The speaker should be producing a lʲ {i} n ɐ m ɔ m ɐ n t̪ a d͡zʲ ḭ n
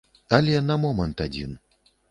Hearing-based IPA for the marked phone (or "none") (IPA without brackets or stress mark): ɛ